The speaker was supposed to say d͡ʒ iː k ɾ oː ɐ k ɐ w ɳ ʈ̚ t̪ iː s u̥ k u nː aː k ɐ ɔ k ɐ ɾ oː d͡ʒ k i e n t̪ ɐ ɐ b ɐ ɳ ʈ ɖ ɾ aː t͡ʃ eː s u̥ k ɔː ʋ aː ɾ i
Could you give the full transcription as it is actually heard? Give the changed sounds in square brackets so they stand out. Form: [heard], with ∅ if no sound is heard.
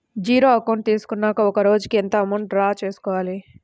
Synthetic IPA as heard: d͡ʒ iː [∅] ɾ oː ɐ k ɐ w ɳ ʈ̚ t̪ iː s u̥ k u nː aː k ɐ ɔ k ɐ ɾ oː d͡ʒ k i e n t̪ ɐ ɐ [m] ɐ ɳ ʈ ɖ ɾ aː t͡ʃ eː s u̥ k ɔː ʋ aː [l] i